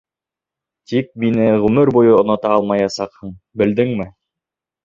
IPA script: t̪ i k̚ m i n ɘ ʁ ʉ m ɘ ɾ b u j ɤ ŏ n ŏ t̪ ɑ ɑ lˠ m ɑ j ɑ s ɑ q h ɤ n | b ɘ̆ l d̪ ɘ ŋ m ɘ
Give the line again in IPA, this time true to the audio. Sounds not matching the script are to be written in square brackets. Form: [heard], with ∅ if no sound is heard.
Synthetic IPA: t̪ i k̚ m i n ɘ ʁ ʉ m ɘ ɾ b u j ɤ ŏ n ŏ t̪ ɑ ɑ lˠ m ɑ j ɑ s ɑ q h ɤ [ɴ] | b ɘ̆ l d̪ ɘ ŋ m ɘ